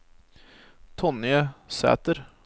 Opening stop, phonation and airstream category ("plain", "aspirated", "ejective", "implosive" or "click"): aspirated